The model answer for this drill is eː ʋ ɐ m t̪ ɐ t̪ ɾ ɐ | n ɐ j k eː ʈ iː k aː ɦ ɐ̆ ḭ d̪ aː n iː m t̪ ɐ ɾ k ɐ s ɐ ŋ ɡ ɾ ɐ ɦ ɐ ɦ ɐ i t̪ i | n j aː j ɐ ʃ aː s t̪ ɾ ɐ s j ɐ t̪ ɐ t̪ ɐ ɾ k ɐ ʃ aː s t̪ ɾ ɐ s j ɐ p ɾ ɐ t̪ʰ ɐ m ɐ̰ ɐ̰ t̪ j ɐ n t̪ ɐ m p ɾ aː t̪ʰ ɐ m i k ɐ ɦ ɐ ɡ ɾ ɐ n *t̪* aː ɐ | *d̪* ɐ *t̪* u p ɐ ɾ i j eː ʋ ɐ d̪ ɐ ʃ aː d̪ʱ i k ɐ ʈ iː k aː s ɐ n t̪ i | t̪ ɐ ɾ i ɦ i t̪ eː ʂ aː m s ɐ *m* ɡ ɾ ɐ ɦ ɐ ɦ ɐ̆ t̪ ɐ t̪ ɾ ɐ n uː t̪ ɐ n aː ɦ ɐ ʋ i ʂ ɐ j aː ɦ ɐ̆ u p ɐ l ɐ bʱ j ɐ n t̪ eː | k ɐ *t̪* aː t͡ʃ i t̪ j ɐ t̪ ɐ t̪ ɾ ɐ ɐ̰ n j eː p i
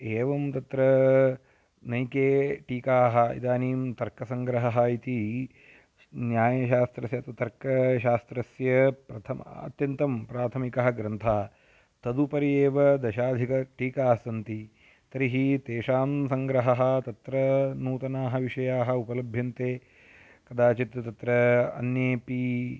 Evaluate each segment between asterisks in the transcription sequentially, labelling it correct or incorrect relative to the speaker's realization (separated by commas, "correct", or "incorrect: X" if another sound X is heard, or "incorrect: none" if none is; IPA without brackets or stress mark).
incorrect: t̪ʰ, incorrect: t̪, incorrect: d̪, incorrect: ŋ, incorrect: d̪